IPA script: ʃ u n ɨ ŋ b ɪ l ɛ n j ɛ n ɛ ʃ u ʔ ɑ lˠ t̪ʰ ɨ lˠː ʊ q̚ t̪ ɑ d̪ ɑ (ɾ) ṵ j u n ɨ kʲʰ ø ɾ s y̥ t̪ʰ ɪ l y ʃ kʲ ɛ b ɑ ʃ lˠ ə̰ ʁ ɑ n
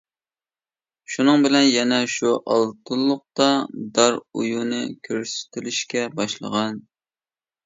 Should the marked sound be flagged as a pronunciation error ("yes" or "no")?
no